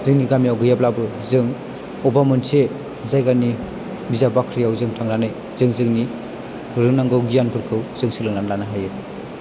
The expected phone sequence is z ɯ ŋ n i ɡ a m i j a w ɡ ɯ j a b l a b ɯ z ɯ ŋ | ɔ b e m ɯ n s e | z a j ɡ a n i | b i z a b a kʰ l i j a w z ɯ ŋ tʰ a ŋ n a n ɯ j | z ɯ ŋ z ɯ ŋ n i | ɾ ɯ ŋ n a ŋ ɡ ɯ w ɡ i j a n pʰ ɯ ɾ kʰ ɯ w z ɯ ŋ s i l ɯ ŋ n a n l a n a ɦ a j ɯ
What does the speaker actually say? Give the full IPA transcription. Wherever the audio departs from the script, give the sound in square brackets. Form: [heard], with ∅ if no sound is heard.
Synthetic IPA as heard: z ɯ ŋ n i ɡ a m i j a w ɡ ɯ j a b l a b ɯ z ɯ ŋ | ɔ b [a] m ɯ n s e | z a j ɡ a n i | b i z a b a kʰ [ɾ] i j a w z ɯ ŋ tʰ a ŋ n a n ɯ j | z ɯ ŋ z ɯ ŋ n i | ɾ ɯ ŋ n a ŋ ɡ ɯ w ɡ i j a n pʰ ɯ ɾ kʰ ɯ w z ɯ ŋ s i l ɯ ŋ n a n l a n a ɦ a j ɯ

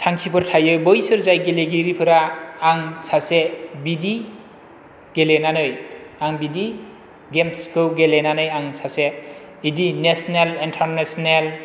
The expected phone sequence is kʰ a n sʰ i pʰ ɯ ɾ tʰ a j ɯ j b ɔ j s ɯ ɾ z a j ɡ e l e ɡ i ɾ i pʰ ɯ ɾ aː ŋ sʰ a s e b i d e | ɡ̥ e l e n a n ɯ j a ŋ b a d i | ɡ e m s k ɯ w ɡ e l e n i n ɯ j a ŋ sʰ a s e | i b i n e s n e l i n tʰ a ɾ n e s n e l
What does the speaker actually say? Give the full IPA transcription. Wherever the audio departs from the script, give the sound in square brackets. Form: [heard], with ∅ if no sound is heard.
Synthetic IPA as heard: [tʰ] a [ŋ] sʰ i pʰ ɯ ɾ tʰ a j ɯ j b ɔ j s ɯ ɾ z a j ɡ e l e ɡ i ɾ i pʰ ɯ ɾ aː ŋ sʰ a s e b i d [i] | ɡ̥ e l e n a n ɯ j a ŋ b [i] d i | ɡ e m s k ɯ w ɡ e l e n [a] n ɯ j a ŋ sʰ a s e | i [d] i n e s n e l i n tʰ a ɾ n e s n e l

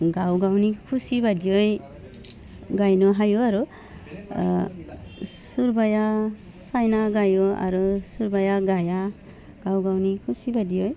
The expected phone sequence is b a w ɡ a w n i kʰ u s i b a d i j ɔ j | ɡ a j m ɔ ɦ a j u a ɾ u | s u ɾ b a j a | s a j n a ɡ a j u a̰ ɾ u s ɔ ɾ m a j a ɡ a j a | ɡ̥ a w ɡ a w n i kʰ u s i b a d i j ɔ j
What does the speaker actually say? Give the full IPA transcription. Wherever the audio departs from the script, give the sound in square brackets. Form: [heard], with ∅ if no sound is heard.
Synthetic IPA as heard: [ɡ] a w ɡ a w n i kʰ u s i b a d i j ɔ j | ɡ a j [n] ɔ ɦ a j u a ɾ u | s u ɾ b a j a | s a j n a ɡ a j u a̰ ɾ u s [u] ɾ [b] a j a ɡ a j a | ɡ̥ a w ɡ a w n i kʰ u s i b a d i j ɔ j

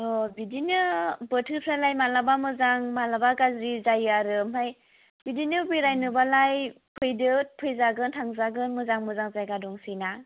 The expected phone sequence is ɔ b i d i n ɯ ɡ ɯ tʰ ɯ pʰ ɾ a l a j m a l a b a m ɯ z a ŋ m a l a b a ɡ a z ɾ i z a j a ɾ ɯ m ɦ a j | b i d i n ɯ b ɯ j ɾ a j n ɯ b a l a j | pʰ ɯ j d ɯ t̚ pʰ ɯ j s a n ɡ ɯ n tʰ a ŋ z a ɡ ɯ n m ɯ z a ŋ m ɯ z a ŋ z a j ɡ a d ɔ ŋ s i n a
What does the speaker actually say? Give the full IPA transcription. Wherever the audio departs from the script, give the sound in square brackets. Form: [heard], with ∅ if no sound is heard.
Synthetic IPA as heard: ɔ b i d i n ɯ [b] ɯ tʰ ɯ pʰ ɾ a l a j m a l a b a m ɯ z a ŋ m a l a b a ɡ a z ɾ i z a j a ɾ ɯ m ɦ a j | b i d i n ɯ b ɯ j ɾ a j n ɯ b a l a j | pʰ ɯ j d ɯ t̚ pʰ ɯ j [z] a [∅] ɡ ɯ n tʰ a ŋ z a ɡ ɯ n m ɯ z a ŋ m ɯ z a ŋ z a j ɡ a d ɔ ŋ s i n a

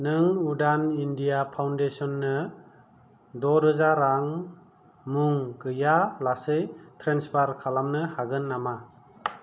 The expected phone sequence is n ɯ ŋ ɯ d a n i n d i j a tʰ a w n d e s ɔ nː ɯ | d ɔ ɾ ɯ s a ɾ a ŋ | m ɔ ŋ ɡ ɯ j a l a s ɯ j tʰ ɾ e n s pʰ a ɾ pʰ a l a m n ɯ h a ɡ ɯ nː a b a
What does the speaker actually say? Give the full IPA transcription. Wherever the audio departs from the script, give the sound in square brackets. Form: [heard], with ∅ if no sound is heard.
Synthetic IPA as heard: n ɯ ŋ [u] d a n i n d i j a [pʰ] a w n d e s ɔ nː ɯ | d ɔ ɾ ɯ [z] a ɾ a ŋ | m [u] ŋ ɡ ɯ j a l a s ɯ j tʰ ɾ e n s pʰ a ɾ [kʰ] a l a m n ɯ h a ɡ ɯ nː a [m] a

